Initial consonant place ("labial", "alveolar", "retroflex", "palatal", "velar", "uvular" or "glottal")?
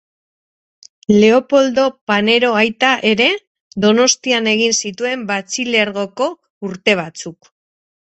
alveolar